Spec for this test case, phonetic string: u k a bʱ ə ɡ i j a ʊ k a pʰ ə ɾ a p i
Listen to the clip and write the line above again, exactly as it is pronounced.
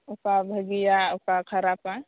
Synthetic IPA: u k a bʱ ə ɡ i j a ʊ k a kʰ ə ɾ a p a

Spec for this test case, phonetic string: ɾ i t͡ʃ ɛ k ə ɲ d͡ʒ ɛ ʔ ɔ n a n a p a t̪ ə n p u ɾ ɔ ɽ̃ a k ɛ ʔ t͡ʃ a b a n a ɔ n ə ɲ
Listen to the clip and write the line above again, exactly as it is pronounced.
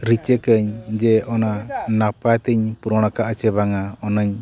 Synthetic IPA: ɾ i t͡ʃ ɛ k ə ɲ d͡ʒ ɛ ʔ ɔ n a n a p a t̪ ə ɲ p u ɾ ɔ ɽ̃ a k a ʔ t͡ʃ ɛ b a ŋ a ɔ n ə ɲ

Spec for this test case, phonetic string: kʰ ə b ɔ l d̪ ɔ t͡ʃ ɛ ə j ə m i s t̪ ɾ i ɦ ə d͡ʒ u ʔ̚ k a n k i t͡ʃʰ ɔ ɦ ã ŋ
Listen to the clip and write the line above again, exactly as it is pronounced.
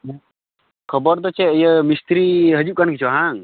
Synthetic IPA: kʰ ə b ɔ ɾ d̪ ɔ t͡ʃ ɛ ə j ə m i s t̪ ɾ i ɦ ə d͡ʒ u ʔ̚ k a n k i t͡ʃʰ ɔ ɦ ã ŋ

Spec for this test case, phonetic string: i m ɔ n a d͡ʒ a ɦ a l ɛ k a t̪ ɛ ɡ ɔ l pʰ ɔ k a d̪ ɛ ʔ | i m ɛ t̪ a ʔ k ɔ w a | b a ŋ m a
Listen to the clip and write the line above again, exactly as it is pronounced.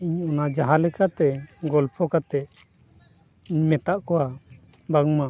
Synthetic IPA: i ɲ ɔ n a d͡ʒ a ɦ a l ɛ k a t̪ ɛ ɡ ɔ l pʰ ɔ k a t̪ ɛ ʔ | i m ɛ t̪ a ʔ k ɔ w a | b a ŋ m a

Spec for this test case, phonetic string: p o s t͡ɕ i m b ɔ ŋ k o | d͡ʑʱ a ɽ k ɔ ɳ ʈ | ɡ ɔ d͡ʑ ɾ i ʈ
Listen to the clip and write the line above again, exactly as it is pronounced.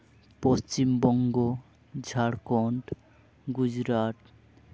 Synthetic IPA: p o s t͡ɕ i m b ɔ ŋ ɡ o | d͡ʑʱ a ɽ k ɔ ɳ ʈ | ɡ u d͡ʑ ɾ a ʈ

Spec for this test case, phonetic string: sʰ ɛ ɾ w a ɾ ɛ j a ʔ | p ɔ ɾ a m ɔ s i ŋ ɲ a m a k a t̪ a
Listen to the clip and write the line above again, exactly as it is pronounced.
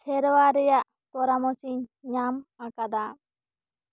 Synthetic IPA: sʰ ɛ ɾ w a ɾ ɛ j a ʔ | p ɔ ɾ a m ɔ s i ɲ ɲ a m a k a d̪ a

